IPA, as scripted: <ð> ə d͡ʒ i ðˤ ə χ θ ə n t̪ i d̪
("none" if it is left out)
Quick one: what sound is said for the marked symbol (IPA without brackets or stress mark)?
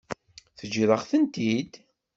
θ